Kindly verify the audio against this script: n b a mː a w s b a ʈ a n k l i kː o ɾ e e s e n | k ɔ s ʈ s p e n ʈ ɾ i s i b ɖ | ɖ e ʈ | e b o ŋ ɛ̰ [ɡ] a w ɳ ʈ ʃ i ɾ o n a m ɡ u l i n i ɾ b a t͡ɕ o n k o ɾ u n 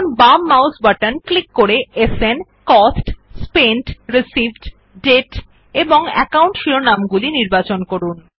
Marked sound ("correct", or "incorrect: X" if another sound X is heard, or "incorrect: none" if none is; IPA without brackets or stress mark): incorrect: k